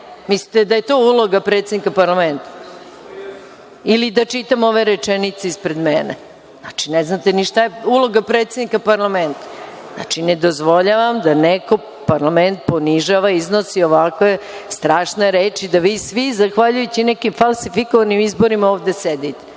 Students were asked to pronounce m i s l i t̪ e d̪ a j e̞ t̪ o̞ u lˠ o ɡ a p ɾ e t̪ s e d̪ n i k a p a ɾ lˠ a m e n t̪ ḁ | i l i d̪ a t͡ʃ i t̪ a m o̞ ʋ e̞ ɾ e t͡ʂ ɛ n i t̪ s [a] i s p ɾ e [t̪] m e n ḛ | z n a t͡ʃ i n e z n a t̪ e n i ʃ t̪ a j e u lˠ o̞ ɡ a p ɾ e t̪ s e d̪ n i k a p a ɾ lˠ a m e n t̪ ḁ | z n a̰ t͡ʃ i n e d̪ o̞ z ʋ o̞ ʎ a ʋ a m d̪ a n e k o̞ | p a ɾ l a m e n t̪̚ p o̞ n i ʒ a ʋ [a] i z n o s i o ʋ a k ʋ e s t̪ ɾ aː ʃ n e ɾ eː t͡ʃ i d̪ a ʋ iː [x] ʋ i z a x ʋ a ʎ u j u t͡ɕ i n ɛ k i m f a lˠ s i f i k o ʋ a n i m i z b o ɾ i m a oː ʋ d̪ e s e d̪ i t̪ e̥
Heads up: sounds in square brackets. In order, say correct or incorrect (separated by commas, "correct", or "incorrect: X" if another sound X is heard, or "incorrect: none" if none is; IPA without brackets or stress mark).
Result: incorrect: e, incorrect: d̪, correct, incorrect: s